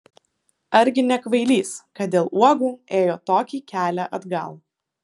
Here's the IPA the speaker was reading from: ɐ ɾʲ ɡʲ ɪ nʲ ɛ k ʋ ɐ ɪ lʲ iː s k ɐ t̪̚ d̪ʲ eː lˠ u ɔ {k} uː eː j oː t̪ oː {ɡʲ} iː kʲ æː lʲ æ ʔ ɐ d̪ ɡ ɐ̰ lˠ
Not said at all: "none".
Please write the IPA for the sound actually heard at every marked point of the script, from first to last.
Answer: ɡ, kʲ

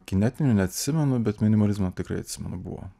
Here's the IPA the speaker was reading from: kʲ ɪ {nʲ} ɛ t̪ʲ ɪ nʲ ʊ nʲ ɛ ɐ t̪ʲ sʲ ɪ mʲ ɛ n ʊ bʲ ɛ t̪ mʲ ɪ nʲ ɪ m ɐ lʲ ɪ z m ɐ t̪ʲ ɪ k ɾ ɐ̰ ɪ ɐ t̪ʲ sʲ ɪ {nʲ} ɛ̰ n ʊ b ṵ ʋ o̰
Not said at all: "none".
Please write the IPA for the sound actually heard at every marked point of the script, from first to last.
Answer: nʲ, mʲ

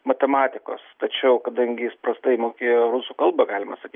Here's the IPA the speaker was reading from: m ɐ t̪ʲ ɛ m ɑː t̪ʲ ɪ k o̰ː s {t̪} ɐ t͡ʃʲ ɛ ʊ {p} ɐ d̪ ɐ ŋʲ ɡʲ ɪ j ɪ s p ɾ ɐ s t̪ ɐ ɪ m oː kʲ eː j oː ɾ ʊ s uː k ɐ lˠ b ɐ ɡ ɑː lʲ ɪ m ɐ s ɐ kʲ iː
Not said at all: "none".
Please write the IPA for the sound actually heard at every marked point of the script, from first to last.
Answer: t̪, k

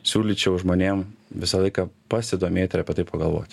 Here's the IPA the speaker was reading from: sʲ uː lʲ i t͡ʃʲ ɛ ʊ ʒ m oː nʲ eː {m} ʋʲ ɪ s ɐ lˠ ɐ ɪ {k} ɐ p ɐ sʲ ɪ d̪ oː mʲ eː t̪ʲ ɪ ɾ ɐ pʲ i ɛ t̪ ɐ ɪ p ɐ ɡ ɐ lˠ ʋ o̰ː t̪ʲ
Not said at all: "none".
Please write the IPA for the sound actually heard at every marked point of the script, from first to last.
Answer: m, k

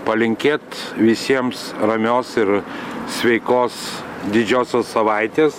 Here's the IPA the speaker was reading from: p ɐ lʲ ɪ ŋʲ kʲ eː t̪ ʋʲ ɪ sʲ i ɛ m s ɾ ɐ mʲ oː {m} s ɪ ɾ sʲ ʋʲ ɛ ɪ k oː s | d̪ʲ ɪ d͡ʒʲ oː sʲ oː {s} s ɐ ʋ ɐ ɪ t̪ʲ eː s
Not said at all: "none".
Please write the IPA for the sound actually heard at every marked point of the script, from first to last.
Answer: none, s

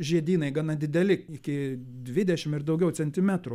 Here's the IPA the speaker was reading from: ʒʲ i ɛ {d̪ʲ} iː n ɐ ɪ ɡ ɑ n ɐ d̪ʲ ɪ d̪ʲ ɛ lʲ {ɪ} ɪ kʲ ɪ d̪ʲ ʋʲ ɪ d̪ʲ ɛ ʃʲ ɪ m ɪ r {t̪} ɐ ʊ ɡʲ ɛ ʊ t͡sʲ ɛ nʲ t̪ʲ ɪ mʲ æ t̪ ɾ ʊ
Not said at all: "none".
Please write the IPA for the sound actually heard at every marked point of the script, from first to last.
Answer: d̪ʲ, ɪ, d̪

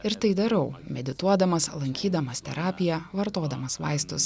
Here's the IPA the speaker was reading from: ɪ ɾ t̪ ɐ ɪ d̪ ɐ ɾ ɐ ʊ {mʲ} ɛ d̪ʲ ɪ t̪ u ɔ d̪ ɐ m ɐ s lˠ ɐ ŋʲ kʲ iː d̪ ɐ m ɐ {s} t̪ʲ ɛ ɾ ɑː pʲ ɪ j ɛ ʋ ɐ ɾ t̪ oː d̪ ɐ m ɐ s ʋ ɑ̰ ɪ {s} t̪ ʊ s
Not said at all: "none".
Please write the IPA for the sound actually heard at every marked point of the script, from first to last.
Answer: mʲ, s, s

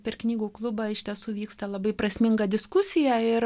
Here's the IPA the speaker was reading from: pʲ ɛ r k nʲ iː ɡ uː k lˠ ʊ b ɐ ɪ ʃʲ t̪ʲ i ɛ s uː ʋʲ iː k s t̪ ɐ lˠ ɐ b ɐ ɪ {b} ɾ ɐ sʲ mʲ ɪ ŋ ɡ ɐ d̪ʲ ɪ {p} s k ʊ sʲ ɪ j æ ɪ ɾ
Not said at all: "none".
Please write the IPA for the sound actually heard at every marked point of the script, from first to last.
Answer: p, none

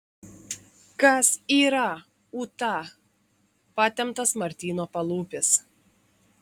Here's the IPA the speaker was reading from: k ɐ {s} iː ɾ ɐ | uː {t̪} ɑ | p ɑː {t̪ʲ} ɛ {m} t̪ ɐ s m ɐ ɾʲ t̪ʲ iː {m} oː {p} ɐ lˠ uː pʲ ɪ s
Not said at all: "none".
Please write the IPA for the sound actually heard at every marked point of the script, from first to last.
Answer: s, t̪, t̪ʲ, m, n, p

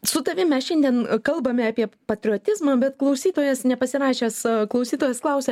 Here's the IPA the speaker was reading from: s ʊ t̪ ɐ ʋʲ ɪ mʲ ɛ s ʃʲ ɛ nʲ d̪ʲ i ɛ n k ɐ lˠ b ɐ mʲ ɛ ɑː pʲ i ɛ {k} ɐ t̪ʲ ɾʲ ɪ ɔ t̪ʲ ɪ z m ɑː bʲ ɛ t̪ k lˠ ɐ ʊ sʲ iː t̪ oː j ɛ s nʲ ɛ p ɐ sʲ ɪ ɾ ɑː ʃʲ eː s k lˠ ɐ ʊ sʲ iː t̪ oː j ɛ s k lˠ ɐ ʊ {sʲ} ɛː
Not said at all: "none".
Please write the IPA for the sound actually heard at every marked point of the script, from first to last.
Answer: p, sʲ

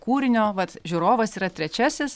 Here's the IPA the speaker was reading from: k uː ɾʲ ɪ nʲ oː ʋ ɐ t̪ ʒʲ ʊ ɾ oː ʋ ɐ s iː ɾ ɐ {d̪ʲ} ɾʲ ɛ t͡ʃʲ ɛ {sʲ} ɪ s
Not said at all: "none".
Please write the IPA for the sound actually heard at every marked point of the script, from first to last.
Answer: t̪ʲ, sʲ

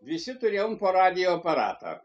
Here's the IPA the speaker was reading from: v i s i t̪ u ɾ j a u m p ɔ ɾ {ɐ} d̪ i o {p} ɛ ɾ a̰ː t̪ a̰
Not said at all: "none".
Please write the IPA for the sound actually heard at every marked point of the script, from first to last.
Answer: a, p

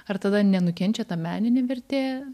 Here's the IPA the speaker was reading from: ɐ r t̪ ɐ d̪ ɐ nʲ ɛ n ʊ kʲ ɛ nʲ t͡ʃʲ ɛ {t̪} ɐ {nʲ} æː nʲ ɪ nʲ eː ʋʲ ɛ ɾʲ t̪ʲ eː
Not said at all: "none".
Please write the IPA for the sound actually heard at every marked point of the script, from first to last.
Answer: t̪, mʲ

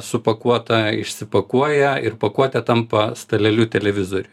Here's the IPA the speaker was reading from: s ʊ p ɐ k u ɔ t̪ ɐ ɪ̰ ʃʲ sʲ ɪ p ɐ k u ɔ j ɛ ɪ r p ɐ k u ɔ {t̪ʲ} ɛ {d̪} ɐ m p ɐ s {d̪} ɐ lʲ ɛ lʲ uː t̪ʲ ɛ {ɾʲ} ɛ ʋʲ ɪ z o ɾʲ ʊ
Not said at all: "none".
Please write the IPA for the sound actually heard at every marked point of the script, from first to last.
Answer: t̪ʲ, t̪, t̪, lʲ

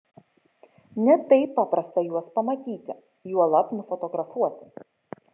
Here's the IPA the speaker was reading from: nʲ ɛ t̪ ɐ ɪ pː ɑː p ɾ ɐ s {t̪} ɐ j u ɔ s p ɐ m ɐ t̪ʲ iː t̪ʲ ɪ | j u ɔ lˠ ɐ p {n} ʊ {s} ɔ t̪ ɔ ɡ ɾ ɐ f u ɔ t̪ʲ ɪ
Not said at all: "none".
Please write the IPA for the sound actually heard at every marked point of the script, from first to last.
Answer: t̪, n, f

